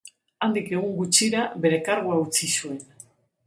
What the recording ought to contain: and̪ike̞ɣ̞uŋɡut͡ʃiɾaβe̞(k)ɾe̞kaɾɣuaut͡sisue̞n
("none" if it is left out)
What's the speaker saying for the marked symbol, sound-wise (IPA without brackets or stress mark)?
none